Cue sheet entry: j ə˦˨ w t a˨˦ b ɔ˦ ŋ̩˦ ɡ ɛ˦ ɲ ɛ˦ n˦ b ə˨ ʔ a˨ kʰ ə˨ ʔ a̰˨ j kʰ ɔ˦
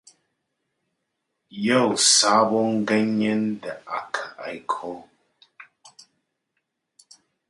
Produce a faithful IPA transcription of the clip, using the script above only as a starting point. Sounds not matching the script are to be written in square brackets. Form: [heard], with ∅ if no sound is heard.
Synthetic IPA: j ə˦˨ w [s] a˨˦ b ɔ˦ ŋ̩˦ ɡ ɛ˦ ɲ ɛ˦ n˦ [d] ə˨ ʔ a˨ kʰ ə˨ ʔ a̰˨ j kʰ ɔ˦